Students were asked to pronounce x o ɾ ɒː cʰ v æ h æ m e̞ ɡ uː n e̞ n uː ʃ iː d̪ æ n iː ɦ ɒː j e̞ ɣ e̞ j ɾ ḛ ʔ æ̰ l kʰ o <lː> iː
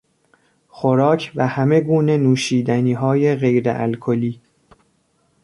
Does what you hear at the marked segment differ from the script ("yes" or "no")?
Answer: yes